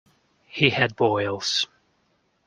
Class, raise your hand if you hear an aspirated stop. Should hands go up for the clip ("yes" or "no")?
no